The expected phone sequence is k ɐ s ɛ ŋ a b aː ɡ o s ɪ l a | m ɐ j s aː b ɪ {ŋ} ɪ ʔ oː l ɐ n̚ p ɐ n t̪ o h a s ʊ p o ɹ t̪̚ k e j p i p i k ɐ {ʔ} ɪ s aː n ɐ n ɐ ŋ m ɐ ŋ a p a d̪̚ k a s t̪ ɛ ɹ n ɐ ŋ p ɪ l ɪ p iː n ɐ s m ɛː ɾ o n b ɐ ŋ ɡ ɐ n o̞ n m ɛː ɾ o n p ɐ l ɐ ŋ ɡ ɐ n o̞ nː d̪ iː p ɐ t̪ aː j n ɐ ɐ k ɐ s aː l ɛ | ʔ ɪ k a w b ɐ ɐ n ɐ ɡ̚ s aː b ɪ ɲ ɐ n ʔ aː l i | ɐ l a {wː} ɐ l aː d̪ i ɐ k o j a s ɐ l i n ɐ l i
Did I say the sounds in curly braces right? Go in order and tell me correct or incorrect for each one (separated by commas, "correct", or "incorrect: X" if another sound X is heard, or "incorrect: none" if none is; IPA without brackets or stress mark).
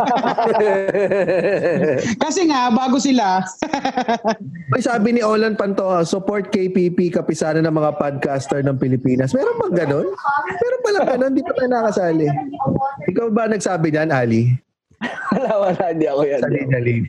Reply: incorrect: n, incorrect: p, incorrect: w